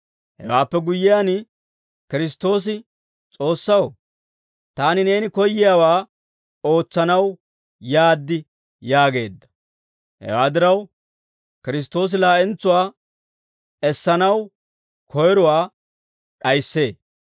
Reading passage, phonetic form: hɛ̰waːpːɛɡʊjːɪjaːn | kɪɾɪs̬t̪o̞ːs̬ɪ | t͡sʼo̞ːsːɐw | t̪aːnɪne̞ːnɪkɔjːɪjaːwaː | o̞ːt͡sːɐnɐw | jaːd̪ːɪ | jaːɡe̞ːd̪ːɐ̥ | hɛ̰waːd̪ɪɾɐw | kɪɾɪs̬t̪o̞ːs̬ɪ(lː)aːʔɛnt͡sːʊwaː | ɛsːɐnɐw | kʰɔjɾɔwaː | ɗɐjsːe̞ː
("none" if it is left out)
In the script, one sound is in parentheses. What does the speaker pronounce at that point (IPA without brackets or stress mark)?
l